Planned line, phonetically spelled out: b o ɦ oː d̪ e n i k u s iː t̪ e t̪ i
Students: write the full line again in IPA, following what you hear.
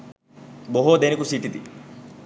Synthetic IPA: b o ɦ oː d̪ e n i k u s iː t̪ i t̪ i